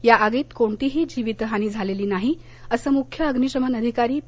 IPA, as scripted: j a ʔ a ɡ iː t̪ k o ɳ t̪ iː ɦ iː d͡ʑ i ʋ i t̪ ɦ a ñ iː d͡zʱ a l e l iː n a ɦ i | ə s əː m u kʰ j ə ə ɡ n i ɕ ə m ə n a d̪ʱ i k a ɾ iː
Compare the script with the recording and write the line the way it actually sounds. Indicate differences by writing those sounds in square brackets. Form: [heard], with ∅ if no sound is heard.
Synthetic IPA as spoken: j a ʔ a ɡ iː t̪ k o ɳ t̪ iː ɦ iː d͡ʑ i ʋ i t̪ ɦ a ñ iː d͡zʱ a l e l iː n a ɦ i | ə s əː m u kʰ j ə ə ɡ n i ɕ ə m ə n [ə] d̪ʱ i k a ɾ iː